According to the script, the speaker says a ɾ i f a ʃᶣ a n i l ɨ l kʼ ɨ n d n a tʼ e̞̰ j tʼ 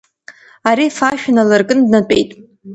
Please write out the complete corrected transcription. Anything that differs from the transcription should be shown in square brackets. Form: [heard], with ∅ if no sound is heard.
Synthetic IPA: a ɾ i f a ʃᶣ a n [a] l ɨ [r] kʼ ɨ n d n a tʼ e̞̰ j tʼ

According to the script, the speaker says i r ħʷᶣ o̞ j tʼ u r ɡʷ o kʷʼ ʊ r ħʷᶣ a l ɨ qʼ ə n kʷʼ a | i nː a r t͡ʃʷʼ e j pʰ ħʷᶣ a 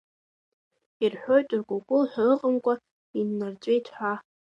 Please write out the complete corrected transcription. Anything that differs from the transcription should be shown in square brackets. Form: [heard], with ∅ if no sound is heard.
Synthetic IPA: i r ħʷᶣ o̞ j tʼ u r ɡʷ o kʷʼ ʊ [l] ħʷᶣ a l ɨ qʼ ə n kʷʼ a | i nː a r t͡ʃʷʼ e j [tʰ] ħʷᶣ a

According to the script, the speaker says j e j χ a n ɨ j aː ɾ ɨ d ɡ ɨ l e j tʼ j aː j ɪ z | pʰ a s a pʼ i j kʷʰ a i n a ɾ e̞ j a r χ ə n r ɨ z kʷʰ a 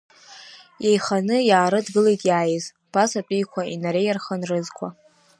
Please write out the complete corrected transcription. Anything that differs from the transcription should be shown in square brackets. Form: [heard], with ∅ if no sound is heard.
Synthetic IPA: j e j χ a n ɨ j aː ɾ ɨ d ɡ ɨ l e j tʼ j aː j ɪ z | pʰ a s a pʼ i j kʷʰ a i n a ɾ e̞ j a r χ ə n r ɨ z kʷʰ a

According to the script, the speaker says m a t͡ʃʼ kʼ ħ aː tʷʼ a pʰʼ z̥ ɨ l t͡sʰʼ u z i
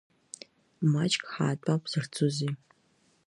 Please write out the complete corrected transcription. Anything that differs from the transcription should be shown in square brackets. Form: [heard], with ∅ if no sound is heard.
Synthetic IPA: m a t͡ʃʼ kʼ ħ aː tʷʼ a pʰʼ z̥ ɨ [r] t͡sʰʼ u z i

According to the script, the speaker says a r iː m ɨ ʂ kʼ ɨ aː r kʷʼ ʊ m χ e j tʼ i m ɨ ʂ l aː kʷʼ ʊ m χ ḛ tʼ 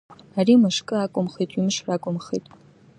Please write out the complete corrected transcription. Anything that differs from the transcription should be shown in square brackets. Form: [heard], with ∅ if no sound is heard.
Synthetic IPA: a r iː m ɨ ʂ kʼ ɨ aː [∅] kʷʼ ʊ m χ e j tʼ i m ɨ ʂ [r] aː kʷʼ ʊ m χ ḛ tʼ

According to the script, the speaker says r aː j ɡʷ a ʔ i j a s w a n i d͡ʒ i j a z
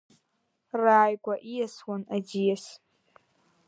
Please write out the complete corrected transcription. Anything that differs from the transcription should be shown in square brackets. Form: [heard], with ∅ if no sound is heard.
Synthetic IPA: r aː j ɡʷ a ʔ i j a s w a n [a] d͡ʒ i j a [s]

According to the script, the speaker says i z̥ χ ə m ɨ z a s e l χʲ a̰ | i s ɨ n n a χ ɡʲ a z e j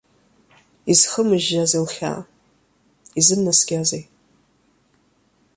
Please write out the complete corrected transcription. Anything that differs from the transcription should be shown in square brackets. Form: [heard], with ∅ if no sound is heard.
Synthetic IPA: i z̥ χ ə m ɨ [ʒ] a [z] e l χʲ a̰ | i [z] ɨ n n a [s] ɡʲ a z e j

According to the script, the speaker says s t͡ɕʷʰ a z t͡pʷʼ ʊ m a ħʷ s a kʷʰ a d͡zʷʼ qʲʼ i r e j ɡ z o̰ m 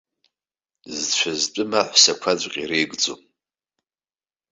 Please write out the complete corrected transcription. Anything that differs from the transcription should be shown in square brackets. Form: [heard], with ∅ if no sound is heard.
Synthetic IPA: [z] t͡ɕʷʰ a z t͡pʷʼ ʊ m a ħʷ s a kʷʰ a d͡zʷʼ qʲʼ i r e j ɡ [d͡z] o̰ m

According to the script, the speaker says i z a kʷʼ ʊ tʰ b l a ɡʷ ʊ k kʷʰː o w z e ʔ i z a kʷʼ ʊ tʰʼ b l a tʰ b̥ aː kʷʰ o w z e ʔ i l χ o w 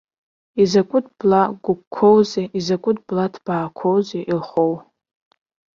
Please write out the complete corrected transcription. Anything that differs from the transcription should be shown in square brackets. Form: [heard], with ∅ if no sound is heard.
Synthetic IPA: i z a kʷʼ ʊ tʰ b l a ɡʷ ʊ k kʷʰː o w z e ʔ i z a kʷʼ ʊ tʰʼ b l a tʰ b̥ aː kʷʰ o w z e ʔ i l χ o w

